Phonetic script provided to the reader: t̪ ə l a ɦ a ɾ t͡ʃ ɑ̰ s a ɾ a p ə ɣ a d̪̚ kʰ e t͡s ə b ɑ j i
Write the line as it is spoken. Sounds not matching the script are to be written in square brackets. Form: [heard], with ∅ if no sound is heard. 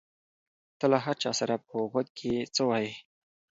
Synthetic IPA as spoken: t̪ ə l a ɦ a ɾ t͡ʃ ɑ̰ s a ɾ a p ə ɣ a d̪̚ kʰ e t͡s ə [w] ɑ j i